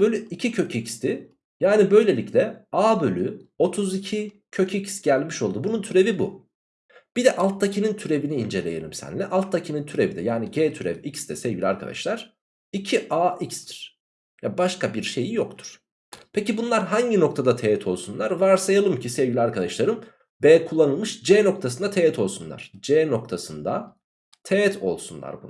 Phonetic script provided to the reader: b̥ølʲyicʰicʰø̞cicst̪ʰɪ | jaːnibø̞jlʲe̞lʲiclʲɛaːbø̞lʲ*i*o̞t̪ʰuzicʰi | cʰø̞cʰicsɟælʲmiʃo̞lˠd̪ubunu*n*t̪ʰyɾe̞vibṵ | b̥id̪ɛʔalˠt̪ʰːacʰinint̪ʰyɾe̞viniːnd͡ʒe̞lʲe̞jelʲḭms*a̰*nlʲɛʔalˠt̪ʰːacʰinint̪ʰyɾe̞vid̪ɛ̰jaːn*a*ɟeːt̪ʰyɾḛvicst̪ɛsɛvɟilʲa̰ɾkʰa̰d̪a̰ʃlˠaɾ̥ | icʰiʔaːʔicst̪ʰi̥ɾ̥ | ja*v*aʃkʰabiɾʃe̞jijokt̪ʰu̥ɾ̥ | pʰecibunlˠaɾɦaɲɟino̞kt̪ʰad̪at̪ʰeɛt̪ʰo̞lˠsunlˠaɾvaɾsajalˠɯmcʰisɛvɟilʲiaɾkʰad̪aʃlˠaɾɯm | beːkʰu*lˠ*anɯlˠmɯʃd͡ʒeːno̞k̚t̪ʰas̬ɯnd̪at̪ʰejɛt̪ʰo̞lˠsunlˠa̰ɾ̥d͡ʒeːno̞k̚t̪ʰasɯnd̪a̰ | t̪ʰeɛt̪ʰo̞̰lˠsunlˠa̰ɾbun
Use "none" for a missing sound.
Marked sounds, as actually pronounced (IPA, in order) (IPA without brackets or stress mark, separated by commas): y, n, æ̰, i, b, lˠː